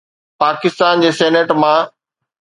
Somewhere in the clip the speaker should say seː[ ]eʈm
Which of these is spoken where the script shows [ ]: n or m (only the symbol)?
n